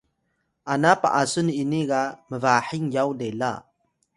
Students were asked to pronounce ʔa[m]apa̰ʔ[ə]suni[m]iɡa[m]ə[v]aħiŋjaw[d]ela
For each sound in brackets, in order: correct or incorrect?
incorrect: n, incorrect: a, incorrect: n, correct, correct, correct

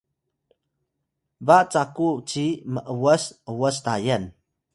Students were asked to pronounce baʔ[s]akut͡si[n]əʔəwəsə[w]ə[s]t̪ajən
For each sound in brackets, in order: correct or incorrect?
incorrect: t͡s, incorrect: m, correct, correct

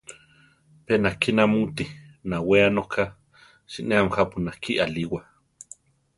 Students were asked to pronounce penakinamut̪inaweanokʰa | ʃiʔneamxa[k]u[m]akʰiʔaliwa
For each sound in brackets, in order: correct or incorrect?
incorrect: p, incorrect: n

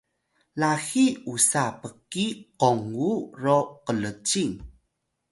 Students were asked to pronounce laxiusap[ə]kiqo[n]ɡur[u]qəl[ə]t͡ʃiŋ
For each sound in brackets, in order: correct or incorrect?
correct, incorrect: ŋ, incorrect: o, correct

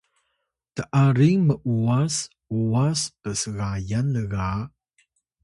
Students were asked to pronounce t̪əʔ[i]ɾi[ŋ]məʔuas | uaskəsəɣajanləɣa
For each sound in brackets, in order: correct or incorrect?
incorrect: a, correct

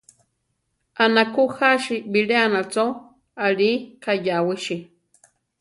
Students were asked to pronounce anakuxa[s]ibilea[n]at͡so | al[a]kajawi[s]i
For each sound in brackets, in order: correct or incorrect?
incorrect: ʃ, correct, incorrect: i, incorrect: ʃ

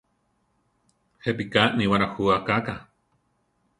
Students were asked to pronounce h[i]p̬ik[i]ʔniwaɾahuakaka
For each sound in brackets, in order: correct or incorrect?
incorrect: e, incorrect: a

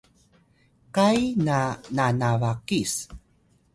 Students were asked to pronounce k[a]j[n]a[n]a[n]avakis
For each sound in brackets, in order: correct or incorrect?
correct, correct, correct, correct

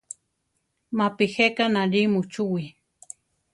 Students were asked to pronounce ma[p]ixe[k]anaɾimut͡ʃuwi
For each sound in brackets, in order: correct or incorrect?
correct, correct

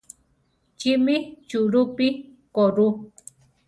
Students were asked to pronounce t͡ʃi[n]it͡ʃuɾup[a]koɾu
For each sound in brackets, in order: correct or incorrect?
incorrect: m, incorrect: i

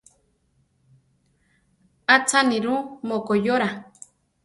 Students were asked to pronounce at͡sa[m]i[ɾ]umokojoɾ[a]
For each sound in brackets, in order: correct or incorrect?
incorrect: n, correct, correct

